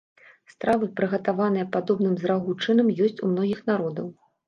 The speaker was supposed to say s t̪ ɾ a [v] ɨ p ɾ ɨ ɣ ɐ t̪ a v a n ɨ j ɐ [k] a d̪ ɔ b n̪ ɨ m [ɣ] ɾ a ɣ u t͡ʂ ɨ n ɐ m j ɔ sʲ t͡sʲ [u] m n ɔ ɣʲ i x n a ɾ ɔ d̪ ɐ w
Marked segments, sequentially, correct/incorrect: correct, incorrect: p, incorrect: z, correct

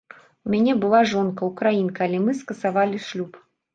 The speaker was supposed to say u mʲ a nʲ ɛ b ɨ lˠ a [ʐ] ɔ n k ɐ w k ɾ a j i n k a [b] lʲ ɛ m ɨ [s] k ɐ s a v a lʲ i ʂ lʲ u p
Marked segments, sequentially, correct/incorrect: correct, incorrect: none, correct

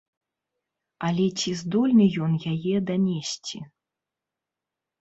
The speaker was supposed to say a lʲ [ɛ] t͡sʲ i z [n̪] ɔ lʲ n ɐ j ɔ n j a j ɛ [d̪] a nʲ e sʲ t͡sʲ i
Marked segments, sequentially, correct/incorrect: correct, incorrect: d̪, correct

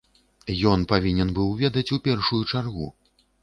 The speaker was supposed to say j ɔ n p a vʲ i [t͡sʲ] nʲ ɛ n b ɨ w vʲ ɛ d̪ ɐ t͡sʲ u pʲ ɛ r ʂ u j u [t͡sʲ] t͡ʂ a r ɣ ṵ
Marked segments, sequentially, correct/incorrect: incorrect: none, incorrect: none

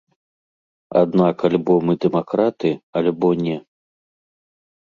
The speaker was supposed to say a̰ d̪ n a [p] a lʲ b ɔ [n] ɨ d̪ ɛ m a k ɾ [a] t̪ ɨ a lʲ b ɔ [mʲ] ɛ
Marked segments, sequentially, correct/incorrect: incorrect: k, incorrect: m, correct, incorrect: nʲ

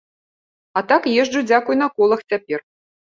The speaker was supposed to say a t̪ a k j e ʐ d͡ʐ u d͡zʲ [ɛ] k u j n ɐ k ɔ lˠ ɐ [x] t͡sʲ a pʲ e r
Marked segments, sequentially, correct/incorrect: incorrect: a, correct

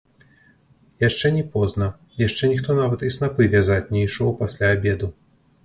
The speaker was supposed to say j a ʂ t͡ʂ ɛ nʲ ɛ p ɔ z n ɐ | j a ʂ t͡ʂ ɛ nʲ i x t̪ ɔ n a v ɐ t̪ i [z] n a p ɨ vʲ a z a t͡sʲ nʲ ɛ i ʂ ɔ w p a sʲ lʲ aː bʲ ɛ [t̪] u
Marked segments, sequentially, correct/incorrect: incorrect: s, incorrect: d̪

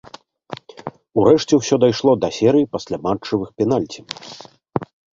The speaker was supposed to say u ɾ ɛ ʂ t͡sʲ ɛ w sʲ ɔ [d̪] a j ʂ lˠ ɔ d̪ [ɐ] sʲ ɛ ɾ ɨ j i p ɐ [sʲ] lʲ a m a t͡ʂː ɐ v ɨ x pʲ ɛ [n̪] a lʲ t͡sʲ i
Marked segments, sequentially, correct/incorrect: correct, correct, correct, correct

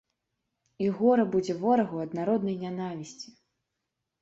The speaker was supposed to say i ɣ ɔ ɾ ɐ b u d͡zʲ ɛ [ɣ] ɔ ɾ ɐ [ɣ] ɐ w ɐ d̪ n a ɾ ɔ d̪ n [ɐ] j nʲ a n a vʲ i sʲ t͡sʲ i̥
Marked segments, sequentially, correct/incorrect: incorrect: v, correct, correct

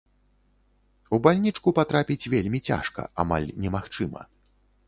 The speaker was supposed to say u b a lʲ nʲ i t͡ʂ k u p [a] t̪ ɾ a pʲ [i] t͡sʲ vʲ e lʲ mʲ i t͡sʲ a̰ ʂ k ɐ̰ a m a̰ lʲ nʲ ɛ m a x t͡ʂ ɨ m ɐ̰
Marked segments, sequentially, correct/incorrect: correct, correct

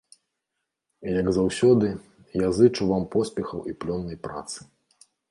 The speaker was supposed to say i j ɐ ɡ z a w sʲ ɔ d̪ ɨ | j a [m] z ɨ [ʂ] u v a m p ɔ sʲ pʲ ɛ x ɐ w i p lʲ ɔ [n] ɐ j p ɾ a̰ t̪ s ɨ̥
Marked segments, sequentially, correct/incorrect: incorrect: none, incorrect: t͡ʂ, incorrect: nː

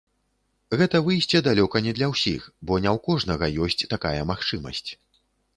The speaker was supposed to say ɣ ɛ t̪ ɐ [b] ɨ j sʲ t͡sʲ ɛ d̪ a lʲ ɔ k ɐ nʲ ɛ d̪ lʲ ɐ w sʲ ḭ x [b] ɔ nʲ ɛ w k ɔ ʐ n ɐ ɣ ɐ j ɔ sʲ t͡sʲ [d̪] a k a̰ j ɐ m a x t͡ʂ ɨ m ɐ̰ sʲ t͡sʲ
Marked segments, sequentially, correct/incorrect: incorrect: v, correct, incorrect: t̪

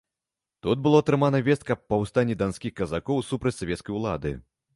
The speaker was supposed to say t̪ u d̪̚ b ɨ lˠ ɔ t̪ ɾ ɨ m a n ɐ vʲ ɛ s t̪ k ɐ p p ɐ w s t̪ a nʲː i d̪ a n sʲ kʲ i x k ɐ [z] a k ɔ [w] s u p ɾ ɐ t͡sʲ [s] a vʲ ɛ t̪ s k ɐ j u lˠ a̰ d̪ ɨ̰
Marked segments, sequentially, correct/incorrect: correct, correct, correct

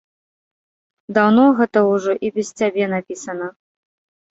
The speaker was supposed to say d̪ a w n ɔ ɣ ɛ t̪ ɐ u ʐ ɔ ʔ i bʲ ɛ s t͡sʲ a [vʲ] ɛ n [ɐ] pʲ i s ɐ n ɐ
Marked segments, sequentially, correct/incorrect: incorrect: bʲ, incorrect: a

